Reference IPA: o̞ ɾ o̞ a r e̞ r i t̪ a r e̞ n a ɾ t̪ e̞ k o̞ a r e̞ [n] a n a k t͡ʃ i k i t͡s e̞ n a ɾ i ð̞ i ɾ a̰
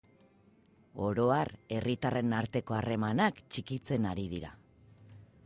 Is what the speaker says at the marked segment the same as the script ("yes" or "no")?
no